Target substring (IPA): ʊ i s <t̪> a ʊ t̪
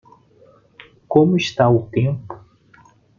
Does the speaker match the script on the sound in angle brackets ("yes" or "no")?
yes